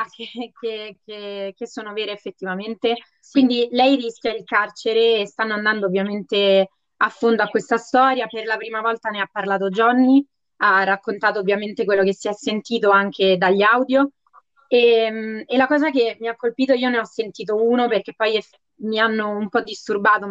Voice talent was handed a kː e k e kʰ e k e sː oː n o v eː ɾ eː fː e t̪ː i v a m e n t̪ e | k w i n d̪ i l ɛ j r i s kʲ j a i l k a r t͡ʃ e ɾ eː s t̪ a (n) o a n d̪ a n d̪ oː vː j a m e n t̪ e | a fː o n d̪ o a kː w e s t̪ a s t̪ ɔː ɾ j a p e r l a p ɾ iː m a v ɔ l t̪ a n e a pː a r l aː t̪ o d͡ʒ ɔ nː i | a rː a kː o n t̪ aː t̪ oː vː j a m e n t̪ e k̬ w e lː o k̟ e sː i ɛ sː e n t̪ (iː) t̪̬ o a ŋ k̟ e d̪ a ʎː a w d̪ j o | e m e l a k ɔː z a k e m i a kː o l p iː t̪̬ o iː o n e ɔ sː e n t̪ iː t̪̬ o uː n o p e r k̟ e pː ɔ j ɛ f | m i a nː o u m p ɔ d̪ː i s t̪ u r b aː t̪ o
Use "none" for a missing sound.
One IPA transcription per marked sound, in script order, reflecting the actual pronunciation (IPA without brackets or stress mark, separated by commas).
nː, iː